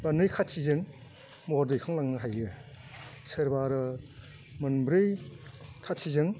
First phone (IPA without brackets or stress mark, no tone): b